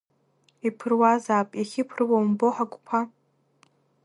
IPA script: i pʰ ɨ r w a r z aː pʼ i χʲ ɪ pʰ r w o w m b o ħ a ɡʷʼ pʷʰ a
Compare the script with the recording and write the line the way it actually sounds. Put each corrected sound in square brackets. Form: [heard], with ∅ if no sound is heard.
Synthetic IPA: i pʰ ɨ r w a [∅] z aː pʼ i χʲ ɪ pʰ r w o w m b o ħ a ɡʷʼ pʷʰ a